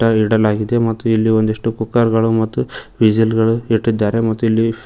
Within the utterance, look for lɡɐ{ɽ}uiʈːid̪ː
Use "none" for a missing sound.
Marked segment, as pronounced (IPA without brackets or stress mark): ɭ